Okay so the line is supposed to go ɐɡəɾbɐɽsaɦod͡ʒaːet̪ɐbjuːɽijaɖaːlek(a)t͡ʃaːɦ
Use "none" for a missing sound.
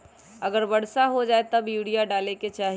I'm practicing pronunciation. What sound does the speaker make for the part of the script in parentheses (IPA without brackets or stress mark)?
e